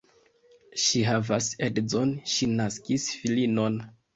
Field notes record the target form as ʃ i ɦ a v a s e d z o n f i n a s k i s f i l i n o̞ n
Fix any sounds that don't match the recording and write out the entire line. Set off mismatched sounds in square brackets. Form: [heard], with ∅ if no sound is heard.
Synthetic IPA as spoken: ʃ i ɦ a v a s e d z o n [ʃ] i n a s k i s f i l i n o̞ n